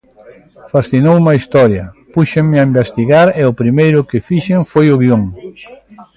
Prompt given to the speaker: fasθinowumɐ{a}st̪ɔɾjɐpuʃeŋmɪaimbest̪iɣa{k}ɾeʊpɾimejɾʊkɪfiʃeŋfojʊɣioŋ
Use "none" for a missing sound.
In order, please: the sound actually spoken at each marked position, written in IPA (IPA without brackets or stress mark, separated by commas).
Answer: i, none